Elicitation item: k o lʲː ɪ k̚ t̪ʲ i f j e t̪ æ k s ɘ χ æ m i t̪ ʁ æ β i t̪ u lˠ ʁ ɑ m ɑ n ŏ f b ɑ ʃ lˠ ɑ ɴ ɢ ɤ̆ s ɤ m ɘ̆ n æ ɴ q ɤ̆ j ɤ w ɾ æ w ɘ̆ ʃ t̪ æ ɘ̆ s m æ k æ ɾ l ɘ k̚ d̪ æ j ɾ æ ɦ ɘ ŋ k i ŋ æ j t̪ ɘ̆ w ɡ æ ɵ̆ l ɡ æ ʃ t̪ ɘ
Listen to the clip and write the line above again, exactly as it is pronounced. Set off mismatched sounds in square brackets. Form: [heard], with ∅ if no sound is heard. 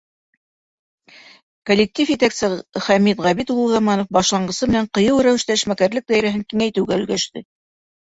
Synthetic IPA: k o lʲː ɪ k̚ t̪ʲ i f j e t̪ æ k s ɘ χ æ m i t̪ ʁ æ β i t̪ u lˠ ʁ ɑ m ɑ n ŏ f b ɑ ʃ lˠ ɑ ɴ ɢ ɤ̆ s ɤ m ɘ̆ n æ ɴ q ɤ̆ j ɤ w ɾ æ w ɘ̆ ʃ t̪ æ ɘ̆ [ʃ] m æ k æ ɾ l ɘ k̚ d̪ æ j ɾ æ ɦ ɘ ŋ k i ŋ æ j t̪ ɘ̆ w ɡ æ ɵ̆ l ɡ æ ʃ t̪ ɘ